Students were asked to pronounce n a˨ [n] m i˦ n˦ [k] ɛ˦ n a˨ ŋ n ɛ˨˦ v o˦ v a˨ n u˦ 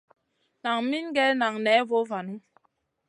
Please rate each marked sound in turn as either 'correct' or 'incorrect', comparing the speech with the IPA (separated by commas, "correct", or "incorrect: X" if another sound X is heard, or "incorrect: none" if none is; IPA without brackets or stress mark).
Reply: incorrect: ŋ, incorrect: ɡ